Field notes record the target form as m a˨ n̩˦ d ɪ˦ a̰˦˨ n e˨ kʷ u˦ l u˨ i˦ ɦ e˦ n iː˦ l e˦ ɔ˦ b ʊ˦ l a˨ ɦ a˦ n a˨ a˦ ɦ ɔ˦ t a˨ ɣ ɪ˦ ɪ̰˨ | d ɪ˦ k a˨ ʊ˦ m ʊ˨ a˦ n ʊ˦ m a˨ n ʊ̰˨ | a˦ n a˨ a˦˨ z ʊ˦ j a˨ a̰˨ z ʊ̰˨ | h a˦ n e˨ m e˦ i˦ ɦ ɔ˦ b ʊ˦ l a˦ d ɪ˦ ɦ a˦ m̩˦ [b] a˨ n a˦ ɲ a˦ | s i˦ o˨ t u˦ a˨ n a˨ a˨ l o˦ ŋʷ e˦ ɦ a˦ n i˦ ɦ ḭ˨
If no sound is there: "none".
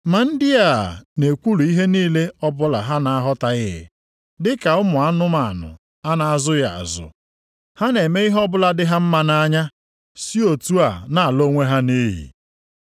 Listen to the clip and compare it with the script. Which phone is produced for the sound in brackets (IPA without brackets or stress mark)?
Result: m